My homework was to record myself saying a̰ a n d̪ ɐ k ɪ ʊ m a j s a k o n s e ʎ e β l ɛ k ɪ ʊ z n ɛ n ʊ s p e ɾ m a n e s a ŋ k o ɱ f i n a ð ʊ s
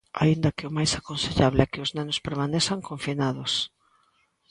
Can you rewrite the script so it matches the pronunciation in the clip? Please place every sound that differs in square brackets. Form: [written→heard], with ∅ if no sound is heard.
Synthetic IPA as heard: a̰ [a→i] n d̪ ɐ k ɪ ʊ m a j s a k o n s e ʎ [e→a] β l ɛ k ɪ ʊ z n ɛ n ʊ s p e ɾ m a n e s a ŋ k o ɱ f i n a ð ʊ s